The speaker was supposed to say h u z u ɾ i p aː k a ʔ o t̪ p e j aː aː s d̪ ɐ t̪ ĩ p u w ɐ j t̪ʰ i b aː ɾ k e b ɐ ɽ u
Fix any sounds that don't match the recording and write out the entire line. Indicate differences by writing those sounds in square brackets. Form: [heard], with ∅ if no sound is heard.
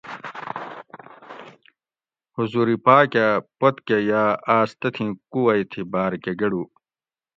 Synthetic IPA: h u z u ɾ i p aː k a [p] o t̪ [k] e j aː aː s [t̪] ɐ [t̪ʰ] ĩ [k] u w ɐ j t̪ʰ i b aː ɾ k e [ɡ] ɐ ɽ u